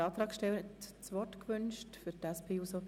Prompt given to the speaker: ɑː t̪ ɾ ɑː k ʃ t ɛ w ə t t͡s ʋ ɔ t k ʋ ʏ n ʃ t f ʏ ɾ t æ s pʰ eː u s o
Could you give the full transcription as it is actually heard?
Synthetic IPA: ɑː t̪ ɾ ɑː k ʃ t ɛ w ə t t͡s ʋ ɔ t k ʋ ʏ n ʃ t f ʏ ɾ t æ s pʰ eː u s o